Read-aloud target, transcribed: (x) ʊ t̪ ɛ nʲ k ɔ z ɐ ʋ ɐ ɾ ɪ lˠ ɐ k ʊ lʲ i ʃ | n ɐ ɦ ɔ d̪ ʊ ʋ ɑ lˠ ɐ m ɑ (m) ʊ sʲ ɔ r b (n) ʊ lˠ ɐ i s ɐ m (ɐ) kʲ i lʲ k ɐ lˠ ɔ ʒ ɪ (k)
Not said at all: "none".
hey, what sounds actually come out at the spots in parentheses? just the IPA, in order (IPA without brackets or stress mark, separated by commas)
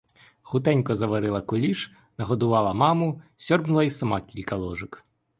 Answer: x, m, n, ɑ, k